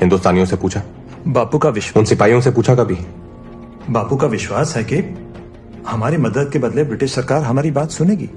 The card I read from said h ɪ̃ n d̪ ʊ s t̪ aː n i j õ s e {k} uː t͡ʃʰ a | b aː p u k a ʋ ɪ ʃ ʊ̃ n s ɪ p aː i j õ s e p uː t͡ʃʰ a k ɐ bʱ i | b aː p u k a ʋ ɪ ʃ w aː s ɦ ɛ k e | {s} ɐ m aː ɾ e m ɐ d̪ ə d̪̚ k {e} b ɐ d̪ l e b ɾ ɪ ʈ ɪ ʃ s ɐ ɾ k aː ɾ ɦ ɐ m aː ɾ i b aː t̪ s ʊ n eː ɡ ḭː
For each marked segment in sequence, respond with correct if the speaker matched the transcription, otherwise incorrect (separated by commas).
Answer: incorrect, incorrect, correct